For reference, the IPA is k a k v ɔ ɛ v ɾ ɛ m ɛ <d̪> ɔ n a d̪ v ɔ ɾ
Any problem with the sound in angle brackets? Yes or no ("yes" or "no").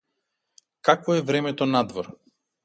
yes